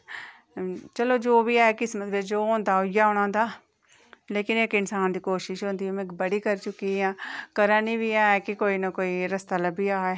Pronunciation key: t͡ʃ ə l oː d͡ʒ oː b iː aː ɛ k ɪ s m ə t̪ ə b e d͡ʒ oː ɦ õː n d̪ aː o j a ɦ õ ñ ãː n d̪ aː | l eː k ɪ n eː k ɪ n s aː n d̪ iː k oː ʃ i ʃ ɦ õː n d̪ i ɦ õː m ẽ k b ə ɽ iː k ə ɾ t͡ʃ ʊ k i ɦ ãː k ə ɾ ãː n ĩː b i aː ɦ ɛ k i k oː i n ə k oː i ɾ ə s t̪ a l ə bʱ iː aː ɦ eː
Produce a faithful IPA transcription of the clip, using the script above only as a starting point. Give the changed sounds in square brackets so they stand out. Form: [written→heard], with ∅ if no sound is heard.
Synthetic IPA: t͡ʃ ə l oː d͡ʒ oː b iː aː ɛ k ɪ s m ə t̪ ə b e d͡ʒ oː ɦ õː n d̪ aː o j a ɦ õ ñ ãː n d̪ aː | l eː k ɪ n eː k ɪ n s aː n d̪ iː k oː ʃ [i→ɪ] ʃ ɦ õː n d̪ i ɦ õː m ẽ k b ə ɽ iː k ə ɾ t͡ʃ ʊ k i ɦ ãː k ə ɾ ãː n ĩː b i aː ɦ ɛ k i k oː i n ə k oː i ɾ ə s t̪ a l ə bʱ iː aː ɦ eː